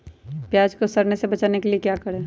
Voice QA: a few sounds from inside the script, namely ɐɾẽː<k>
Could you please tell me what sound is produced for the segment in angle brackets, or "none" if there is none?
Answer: none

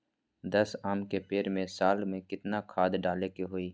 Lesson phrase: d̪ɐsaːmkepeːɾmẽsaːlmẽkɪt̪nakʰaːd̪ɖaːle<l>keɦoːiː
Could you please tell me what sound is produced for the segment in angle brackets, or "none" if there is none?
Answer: none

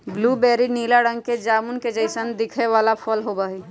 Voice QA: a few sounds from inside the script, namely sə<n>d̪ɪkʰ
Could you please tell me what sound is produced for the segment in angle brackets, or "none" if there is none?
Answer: n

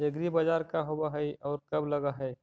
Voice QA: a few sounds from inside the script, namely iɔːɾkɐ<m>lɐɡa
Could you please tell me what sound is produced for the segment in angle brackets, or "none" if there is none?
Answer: b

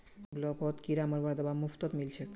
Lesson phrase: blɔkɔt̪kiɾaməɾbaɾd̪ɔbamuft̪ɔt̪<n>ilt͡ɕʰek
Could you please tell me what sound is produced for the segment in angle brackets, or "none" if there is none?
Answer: m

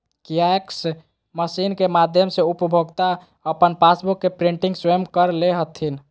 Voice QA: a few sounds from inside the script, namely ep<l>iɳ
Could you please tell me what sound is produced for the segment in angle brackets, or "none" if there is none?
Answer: ɾ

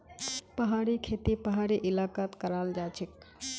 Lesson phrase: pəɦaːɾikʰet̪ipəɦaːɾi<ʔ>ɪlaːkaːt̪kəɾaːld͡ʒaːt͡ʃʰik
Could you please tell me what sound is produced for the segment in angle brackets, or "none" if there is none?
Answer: ʔ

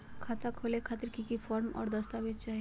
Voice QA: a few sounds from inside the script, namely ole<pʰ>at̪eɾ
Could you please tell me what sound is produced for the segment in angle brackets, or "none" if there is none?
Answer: kʰ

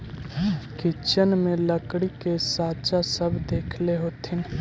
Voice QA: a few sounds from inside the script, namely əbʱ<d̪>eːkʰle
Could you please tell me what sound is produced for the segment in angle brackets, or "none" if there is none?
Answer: d̪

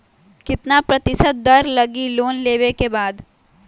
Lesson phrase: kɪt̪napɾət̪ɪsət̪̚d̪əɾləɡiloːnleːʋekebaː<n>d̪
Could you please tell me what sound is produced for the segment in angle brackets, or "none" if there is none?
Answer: none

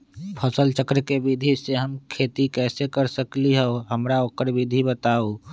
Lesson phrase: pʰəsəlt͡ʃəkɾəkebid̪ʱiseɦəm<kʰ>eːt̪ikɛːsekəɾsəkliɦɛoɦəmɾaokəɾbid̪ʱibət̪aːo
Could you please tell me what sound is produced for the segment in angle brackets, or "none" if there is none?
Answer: kʰ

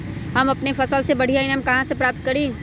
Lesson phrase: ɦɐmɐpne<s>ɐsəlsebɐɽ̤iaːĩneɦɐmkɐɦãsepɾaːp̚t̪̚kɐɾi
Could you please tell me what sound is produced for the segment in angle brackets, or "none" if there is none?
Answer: f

